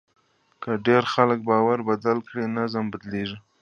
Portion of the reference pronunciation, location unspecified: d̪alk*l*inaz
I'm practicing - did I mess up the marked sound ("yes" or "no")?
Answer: yes